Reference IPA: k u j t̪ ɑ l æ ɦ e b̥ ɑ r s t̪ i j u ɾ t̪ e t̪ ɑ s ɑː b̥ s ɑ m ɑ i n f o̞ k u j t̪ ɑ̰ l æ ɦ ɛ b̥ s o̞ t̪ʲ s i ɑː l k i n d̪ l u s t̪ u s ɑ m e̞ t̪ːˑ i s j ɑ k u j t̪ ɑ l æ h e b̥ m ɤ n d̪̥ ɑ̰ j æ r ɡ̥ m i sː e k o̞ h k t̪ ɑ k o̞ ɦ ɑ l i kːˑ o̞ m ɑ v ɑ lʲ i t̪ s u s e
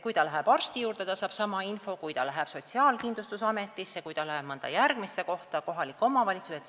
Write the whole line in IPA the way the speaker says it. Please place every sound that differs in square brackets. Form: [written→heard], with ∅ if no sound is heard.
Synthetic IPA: k u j t̪ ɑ l æ ɦ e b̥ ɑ r s t̪ i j [u→uː] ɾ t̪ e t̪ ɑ s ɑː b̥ s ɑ m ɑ i n f o̞ k u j t̪ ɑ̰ l æ ɦ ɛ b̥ s o̞ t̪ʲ s i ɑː l k i n d̪ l u s t̪ u s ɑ m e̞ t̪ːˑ i s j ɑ k u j t̪ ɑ l æ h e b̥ m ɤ n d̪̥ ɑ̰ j æ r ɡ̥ m i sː e k o̞ h [k→t] t̪ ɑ k o̞ ɦ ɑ l i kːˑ o̞ m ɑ v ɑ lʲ i t̪ s u s e

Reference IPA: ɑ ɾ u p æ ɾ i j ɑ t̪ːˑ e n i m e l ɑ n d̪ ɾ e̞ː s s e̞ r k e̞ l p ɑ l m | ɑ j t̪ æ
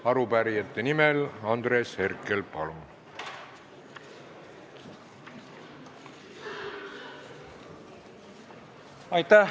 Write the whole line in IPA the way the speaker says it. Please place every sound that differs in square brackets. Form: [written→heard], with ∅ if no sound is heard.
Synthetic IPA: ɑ ɾ u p æ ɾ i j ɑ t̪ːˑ e n i m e l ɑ n d̪ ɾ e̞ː s [s→h] e̞ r k e̞ l p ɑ l m | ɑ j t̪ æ

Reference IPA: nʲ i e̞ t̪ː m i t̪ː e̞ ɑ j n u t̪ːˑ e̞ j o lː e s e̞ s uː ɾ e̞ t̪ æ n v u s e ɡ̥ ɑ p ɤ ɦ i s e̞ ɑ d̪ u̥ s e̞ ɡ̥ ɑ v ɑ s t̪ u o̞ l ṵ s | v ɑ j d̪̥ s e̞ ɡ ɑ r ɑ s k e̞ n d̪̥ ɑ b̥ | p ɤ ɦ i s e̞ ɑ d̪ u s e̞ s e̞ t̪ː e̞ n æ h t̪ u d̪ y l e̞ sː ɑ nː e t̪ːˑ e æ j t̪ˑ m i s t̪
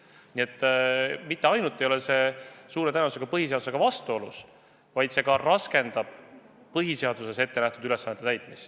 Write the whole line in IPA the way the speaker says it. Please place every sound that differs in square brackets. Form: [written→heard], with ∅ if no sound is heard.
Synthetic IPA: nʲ i e̞ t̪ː m i t̪ː e̞ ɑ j n u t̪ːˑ e̞ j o [lː→l] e s e̞ s uː ɾ e̞ t̪ æ n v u s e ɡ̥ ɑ p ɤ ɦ i s e̞ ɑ d̪ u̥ s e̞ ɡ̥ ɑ v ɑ s t̪ u o̞ l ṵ s | v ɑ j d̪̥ s e̞ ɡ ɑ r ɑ s k e̞ n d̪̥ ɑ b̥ | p ɤ ɦ i s e̞ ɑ d̪ u s e̞ s e̞ t̪ː e̞ n æ h t̪ u d̪ y l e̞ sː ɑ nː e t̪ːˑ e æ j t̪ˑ m i s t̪

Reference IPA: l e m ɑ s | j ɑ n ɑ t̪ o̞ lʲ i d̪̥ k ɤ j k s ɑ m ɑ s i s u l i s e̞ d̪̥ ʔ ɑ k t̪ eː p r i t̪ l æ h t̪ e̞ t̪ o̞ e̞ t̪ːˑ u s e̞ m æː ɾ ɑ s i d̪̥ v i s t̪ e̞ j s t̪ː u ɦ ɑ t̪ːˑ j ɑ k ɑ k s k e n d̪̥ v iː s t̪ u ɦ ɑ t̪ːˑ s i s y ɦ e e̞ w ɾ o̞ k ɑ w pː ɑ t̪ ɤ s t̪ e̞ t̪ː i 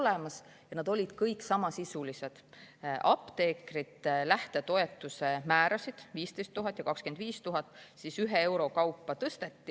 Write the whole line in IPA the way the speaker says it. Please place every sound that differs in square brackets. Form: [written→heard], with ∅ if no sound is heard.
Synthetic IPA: l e m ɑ s | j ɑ n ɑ [t̪→d̪] o̞ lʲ i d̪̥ k ɤ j k s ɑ m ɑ s i s u l i s e̞ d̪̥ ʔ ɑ [k→p] t̪ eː [p→k] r i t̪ l æ h t̪ e̞ t̪ o̞ e̞ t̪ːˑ u s e̞ m æː ɾ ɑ s i d̪̥ v [i→iː] s t̪ e̞ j s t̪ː u ɦ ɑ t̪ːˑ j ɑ k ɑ k s k e n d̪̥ v iː s t̪ u ɦ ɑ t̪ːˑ s i s y ɦ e e̞ w ɾ o̞ k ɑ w pː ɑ t̪ ɤ s t̪ e̞ t̪ː i

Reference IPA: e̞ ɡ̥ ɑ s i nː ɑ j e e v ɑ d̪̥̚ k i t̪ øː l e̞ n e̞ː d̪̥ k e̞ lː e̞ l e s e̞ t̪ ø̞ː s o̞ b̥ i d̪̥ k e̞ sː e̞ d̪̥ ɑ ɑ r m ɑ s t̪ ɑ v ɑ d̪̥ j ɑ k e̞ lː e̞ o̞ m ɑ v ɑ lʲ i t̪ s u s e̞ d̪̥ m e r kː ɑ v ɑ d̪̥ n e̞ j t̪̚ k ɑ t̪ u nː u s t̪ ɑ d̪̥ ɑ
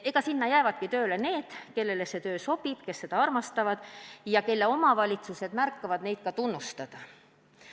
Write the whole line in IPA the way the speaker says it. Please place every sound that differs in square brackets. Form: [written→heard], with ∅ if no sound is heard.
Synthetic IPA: e̞ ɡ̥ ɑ s i nː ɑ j [e→æ] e v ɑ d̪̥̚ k i t̪ øː l e̞ n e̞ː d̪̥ k e̞ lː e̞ l e s e̞ t̪ ø̞ː s o̞ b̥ i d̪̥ k e̞ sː e̞ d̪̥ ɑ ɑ r m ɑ s t̪ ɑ v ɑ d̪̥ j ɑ k e̞ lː e̞ o̞ m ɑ v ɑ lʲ i t̪ s u s e̞ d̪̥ m [e→æ] r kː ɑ v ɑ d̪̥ n e̞ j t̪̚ k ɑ t̪ u nː u s t̪ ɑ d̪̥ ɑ

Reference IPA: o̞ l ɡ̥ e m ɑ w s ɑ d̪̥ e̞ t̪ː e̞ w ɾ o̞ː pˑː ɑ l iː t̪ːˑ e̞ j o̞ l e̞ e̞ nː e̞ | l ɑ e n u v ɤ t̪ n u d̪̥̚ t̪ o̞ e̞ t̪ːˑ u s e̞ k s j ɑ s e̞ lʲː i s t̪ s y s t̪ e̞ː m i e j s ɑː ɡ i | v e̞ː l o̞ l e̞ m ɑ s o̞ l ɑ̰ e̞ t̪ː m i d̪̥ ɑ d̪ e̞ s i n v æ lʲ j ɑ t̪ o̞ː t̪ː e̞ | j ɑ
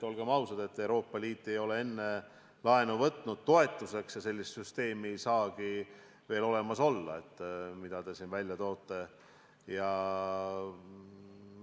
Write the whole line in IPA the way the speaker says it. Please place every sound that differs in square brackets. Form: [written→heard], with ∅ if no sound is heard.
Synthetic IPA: o̞ l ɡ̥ e m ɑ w s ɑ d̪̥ e̞ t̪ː e̞ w ɾ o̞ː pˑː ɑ l iː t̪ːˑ e̞ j o̞ l e̞ e̞ nː e̞ | l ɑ e n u v ɤ t̪ n u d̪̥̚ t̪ o̞ e̞ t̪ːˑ u s e̞ k s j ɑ s e̞ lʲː i s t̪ s y s t̪ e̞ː m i e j s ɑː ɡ i | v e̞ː l o̞ l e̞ m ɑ s o̞ [l→lː] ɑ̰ e̞ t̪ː m i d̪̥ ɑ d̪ e̞ s i n v æ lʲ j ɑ t̪ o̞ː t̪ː e̞ | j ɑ

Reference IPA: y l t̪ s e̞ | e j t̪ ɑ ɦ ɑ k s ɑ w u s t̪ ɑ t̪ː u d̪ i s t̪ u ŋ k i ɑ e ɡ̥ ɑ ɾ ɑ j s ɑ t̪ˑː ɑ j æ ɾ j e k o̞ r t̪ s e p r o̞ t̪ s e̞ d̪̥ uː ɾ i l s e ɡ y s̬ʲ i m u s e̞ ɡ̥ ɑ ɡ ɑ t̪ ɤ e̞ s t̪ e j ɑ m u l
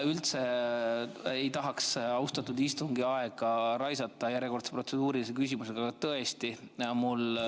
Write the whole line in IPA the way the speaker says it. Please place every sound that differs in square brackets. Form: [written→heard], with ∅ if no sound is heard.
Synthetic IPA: y l t̪ s e̞ | e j t̪ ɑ ɦ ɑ k s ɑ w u s t̪ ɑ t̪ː u d̪ i s t̪ u ŋ [k→ɡ] i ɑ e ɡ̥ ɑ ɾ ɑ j s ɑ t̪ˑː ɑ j æ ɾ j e k o̞ r t̪ s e p r o̞ t̪ s e̞ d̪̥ uː ɾ i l s e [ɡ→k] y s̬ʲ i m u s e̞ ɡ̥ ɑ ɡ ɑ t̪ ɤ e̞ s t̪ [e→i] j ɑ m u l

